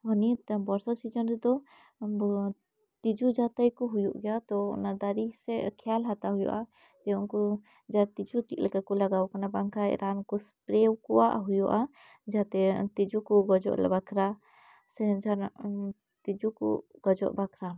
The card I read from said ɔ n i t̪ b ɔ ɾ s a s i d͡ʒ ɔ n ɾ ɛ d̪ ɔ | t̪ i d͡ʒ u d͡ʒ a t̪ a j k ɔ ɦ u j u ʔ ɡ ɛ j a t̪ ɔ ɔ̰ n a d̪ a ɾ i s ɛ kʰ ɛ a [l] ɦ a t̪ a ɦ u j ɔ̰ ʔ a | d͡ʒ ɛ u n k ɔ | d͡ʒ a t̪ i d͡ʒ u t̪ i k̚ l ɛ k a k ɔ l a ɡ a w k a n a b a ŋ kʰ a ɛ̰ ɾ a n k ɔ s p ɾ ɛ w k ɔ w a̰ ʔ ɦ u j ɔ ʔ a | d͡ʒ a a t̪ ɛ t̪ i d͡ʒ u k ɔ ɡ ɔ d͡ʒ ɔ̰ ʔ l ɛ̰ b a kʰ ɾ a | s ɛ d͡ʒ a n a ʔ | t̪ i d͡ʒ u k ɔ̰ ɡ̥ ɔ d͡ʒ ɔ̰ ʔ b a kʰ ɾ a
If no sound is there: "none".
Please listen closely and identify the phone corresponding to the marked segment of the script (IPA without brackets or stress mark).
l